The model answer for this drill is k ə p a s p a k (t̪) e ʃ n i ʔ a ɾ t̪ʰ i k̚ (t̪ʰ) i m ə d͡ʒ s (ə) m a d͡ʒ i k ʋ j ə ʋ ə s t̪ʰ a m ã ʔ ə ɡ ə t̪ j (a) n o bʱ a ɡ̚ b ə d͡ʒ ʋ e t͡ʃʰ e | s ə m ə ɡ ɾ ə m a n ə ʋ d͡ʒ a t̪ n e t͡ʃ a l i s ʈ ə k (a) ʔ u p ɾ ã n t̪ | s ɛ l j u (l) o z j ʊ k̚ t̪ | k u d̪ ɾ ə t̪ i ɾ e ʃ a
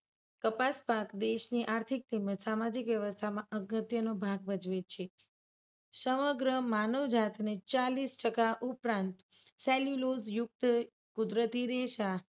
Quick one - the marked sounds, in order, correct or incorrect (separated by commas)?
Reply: incorrect, incorrect, incorrect, incorrect, correct, correct